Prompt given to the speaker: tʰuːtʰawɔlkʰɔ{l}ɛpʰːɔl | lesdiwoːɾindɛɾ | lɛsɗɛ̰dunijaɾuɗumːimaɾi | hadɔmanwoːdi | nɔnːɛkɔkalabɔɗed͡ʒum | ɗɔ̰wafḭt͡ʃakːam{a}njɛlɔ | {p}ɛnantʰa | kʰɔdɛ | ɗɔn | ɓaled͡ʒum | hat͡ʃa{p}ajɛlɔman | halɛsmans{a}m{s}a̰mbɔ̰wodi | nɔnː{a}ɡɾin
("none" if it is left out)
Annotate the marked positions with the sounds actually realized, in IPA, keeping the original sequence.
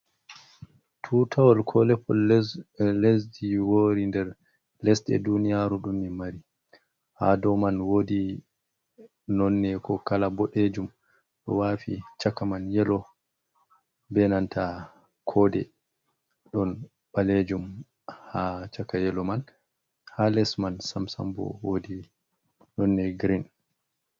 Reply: l, a, b, k, a, s, ɛ

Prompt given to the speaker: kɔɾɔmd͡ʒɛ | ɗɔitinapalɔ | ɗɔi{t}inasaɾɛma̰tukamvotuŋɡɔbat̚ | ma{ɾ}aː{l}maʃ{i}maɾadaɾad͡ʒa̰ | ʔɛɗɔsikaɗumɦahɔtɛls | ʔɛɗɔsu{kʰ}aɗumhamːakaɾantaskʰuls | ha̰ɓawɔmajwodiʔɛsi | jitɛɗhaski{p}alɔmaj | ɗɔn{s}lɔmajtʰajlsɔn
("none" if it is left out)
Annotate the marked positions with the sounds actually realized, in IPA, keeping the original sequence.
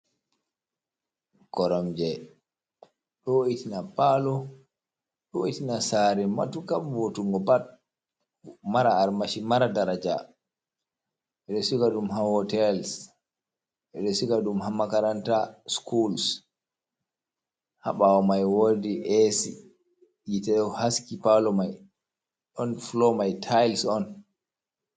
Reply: t, ɾ, ɾ, i, k, p, f

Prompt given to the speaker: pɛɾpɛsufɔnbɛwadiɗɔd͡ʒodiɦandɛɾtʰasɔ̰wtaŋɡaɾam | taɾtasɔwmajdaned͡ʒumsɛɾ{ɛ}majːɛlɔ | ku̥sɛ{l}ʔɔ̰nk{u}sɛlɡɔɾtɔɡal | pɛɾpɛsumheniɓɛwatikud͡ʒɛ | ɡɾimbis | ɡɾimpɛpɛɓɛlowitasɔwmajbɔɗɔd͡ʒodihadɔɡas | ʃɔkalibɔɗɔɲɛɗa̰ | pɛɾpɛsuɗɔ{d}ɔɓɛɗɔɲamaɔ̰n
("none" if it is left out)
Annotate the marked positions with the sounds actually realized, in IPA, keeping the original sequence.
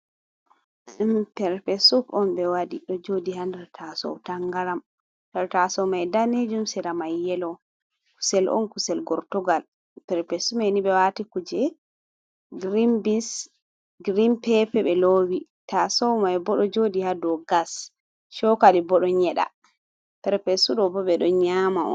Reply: a, l, u, b

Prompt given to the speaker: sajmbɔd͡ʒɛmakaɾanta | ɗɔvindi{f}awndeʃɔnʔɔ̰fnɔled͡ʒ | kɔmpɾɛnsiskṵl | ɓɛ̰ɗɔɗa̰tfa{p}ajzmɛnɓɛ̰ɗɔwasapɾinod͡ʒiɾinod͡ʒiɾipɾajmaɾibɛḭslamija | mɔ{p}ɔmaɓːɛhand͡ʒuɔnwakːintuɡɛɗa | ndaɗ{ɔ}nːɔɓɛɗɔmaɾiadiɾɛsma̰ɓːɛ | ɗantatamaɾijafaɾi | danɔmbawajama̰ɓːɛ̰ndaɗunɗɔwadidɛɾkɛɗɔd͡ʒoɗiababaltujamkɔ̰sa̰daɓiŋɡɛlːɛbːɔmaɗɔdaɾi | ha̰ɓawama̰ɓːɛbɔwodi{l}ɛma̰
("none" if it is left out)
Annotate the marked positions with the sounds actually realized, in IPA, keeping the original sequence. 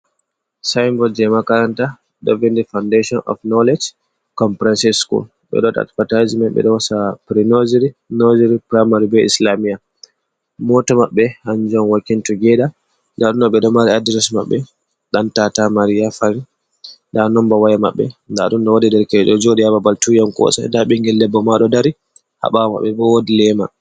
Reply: f, t, t, u, l

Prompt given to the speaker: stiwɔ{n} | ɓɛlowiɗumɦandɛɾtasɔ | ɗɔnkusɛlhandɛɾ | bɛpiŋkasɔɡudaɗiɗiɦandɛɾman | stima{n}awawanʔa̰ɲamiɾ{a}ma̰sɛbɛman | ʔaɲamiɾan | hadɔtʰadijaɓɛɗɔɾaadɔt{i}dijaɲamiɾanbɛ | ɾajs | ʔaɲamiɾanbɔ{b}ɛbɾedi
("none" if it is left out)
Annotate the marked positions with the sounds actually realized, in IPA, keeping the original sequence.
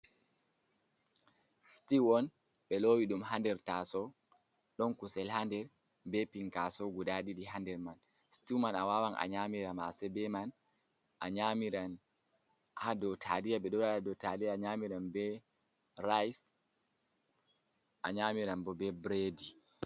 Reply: n, n, a, a, b

